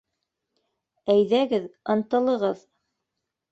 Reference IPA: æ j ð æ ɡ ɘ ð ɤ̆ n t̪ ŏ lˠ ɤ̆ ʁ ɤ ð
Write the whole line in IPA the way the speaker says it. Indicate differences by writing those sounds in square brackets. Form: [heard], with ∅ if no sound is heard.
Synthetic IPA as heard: æ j ð æ ɡ ɘ ð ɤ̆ n t̪ [ɤ̆] lˠ ɤ̆ ʁ ɤ ð